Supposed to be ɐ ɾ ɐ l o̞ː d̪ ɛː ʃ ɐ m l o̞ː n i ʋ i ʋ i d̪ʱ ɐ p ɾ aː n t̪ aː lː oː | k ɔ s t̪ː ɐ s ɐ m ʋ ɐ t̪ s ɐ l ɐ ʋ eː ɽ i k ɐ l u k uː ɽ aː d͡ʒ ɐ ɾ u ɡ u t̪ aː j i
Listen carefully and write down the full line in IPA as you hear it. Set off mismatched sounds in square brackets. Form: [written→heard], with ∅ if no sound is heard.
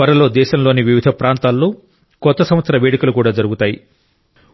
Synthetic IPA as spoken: ɐ ɾ ɐ l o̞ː d̪ ɛː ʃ ɐ m l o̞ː n i ʋ i ʋ i d̪ʱ ɐ p ɾ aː n t̪ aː lː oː | k ɔ [s→∅] t̪ː ɐ s ɐ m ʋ ɐ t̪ s ɐ [l→ɾ] ɐ ʋ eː ɽ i k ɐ l u k uː ɽ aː d͡ʒ ɐ ɾ u ɡ u t̪ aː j i